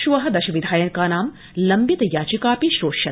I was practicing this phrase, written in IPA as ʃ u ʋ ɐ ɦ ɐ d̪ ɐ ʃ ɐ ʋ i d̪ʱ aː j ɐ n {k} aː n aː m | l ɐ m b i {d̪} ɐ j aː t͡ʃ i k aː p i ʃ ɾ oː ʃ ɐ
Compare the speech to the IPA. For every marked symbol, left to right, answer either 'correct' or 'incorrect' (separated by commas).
correct, incorrect